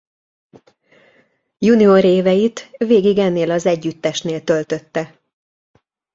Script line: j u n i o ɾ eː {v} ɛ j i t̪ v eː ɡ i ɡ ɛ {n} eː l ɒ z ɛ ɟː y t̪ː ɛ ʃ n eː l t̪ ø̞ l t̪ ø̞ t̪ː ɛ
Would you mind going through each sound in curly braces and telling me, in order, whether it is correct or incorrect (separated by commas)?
correct, incorrect